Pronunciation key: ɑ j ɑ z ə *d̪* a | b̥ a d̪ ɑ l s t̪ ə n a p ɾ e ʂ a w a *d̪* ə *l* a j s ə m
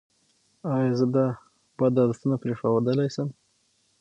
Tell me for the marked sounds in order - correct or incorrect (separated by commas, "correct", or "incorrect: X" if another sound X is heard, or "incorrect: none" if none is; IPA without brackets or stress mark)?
correct, correct, correct